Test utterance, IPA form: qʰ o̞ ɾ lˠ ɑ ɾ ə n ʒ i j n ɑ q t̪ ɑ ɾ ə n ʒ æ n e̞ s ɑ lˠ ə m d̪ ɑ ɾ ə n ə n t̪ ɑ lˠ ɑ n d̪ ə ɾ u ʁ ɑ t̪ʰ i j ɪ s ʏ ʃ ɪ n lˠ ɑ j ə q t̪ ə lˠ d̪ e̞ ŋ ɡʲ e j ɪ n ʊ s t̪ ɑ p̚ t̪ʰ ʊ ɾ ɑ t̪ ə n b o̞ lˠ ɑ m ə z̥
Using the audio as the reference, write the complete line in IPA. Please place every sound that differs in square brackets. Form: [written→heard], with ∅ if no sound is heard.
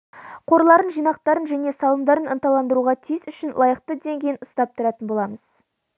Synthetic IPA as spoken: qʰ o̞ ɾ lˠ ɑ ɾ ə n ʒ i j n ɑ q t̪ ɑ ɾ ə n ʒ æ n e̞ s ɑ lˠ ə m d̪ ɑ ɾ ə n ə n t̪ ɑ lˠ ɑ n d̪ ə ɾ u ʁ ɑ t̪ʰ i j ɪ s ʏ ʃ ɪ n lˠ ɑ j ə q t̪ ə [lˠ→∅] d̪ e̞ ŋ ɡʲ e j ɪ n ʊ s t̪ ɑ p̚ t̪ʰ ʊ ɾ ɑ t̪ ə n b o̞ lˠ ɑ m ə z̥

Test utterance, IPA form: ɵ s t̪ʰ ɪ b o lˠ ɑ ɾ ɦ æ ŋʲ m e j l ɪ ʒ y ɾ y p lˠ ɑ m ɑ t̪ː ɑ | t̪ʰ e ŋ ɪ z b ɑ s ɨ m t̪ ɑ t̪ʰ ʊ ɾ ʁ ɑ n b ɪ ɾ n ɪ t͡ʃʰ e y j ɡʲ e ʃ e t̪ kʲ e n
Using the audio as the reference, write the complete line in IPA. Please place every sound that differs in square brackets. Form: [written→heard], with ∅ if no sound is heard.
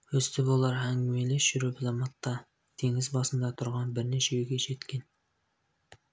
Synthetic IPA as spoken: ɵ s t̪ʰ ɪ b o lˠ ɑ ɾ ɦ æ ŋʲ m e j l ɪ [ʒ→ʃ] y ɾ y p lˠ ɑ m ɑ t̪ː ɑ | t̪ʰ e ŋ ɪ z b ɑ s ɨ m [t̪→d̪] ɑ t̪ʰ ʊ ɾ ʁ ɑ n b ɪ ɾ n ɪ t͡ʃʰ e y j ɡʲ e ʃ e t̪ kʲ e n

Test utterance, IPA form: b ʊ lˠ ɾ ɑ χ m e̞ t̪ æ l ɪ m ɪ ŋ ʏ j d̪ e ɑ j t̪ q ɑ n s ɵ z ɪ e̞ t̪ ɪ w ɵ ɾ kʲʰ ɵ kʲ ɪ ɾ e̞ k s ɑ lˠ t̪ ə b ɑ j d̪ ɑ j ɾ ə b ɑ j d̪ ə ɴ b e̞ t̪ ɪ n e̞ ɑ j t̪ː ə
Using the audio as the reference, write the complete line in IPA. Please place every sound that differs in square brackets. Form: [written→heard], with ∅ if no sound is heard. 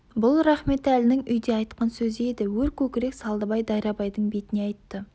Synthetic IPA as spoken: b ʊ lˠ ɾ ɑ χ m e̞ t̪ æ l ɪ [m→n] ɪ ŋ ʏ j d̪ e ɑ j t̪ q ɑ n s ɵ z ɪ e̞ [t̪→d̪] ɪ w ɵ ɾ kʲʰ ɵ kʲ ɪ ɾ e̞ k s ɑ lˠ [t̪→d̪] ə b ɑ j d̪ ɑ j ɾ [ə→ɑ] b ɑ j d̪ ə ɴ b e̞ t̪ ɪ n e̞ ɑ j t̪ː ə

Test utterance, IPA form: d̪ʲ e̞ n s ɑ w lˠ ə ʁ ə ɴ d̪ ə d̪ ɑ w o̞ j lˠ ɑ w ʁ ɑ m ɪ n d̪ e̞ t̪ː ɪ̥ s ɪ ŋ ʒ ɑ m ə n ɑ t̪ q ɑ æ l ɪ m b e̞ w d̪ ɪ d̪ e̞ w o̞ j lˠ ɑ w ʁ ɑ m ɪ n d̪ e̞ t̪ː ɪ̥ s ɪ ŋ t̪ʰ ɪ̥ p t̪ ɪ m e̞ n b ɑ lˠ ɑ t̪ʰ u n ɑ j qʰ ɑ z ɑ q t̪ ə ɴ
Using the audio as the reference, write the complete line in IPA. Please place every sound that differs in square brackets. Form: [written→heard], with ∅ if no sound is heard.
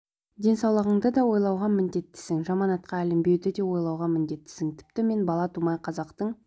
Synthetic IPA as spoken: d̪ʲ e̞ n s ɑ w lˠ ə ʁ ə ɴ d̪ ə d̪ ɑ w o̞ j lˠ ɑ w ʁ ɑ m ɪ n d̪ e̞ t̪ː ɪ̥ s ɪ ŋ ʒ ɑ m [ə→ɑ] n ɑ t̪ q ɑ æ l ɪ m b e̞ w d̪ ɪ d̪ e̞ w o̞ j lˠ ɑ w ʁ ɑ m ɪ n d̪ e̞ t̪ː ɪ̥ s ɪ ŋ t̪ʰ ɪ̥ p t̪ ɪ m e̞ n b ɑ lˠ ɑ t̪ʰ u [n→m] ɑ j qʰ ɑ z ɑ q t̪ ə ɴ

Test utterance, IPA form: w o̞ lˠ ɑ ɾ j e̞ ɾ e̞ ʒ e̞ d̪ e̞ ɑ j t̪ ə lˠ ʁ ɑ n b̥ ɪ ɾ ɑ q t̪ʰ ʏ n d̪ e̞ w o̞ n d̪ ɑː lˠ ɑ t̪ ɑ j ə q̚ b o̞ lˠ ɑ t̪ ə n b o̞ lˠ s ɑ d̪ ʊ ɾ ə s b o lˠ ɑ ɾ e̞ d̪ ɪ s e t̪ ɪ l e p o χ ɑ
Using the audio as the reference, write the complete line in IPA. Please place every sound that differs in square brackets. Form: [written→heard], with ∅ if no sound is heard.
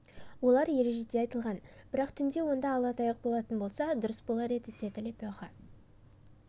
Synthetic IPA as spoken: w o̞ lˠ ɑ ɾ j e̞ ɾ e̞ ʒ e̞ d̪ e̞ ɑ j t̪ ə lˠ ʁ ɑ n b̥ ɪ ɾ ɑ q t̪ʰ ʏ n d̪ e̞ w o̞ n d̪ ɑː lˠ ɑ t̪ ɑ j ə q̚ b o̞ lˠ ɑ t̪ ə n b o̞ lˠ s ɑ d̪ ʊ ɾ ə s b o lˠ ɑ ɾ e̞ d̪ ɪ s e t̪ ɪ l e p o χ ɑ

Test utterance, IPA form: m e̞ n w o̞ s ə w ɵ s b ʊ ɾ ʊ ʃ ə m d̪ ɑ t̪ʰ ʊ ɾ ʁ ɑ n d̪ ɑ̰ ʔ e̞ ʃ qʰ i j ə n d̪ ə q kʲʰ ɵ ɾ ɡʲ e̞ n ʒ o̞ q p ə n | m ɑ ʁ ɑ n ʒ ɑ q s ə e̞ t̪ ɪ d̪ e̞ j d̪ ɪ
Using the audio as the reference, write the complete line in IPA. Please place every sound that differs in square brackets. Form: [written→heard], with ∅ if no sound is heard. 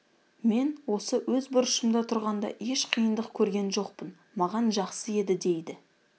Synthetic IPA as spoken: m e̞ n w o̞ s ə w ɵ [s→z] b ʊ ɾ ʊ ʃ ə m d̪ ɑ t̪ʰ ʊ ɾ ʁ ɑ n d̪ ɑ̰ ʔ e̞ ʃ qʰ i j ə n d̪ ə q kʲʰ ɵ ɾ ɡʲ e̞ n ʒ o̞ q p ə n | m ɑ ʁ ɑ n ʒ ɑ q s ə e̞ [t̪→d̪] ɪ d̪ e̞ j d̪ ɪ

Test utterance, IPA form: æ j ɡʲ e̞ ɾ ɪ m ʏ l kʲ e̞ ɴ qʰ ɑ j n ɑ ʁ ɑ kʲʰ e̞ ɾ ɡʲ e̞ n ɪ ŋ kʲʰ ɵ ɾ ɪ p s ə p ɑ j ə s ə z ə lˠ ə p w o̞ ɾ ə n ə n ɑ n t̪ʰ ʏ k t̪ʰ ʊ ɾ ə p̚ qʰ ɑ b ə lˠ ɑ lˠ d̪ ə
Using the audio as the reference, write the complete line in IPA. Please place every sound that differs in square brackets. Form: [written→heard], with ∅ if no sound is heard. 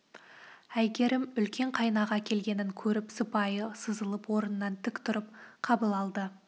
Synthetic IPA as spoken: æ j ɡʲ e̞ ɾ ɪ m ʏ l kʲ e̞ ɴ qʰ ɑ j n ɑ ʁ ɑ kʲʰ e̞ [ɾ→l] ɡʲ e̞ n ɪ ŋ kʲʰ ɵ ɾ ɪ p s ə p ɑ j ə s ə z ə lˠ ə p w o̞ ɾ ə n ə n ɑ n t̪ʰ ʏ k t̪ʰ ʊ ɾ ə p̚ qʰ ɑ b ə lˠ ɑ lˠ d̪ ə

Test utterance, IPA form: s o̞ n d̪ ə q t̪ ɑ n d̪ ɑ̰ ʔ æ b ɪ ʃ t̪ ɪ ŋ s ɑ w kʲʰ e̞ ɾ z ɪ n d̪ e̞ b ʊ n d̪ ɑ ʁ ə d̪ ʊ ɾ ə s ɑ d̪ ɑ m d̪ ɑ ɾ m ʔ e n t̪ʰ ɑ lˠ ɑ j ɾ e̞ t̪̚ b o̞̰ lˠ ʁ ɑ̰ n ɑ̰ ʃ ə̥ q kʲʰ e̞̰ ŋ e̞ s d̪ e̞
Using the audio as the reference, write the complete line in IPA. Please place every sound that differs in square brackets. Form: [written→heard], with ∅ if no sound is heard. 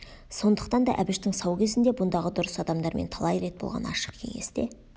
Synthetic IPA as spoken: s o̞ n d̪ ə q t̪ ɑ n d̪ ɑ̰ ʔ æ b ɪ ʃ t̪ ɪ ŋ s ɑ w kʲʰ e̞ [ɾ→∅] z ɪ n d̪ e̞ b ʊ n d̪ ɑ ʁ ə d̪ ʊ ɾ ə s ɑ d̪ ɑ m d̪ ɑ ɾ m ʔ e n t̪ʰ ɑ lˠ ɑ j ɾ e̞ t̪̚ b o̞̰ lˠ ʁ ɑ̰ n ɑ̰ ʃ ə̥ q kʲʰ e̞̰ ŋ e̞ s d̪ e̞

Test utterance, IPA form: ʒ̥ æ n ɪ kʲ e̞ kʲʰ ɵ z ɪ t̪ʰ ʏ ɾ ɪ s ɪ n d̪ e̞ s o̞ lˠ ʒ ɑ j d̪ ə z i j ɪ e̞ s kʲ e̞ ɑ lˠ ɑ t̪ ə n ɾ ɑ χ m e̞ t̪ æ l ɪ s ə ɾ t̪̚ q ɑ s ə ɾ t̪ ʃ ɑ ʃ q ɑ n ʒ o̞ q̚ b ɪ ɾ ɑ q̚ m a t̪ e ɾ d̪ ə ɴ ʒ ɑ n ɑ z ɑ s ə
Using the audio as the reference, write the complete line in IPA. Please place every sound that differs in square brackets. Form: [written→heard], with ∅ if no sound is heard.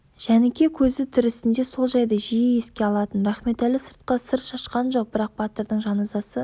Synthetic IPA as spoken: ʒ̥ æ n ɪ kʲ e̞ kʲʰ ɵ z ɪ t̪ʰ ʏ ɾ ɪ s ɪ n d̪ e̞ s o̞ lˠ ʒ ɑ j d̪ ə [z→ʒ] i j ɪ e̞ s kʲ e̞ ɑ lˠ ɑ t̪ ə n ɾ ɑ χ m e̞ t̪ æ l ɪ s ə ɾ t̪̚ q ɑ s ə ɾ t̪ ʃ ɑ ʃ q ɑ n ʒ o̞ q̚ b ɪ ɾ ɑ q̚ [m→b] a t̪ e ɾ d̪ ə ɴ ʒ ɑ n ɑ z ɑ s ə

